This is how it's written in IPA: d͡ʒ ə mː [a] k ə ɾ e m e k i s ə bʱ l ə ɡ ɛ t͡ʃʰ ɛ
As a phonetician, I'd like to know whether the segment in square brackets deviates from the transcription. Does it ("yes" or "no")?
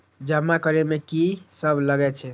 no